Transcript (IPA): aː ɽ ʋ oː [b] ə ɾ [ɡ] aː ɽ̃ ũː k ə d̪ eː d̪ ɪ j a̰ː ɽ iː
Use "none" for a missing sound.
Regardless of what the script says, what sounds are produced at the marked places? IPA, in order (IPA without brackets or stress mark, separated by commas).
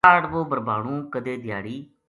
b, b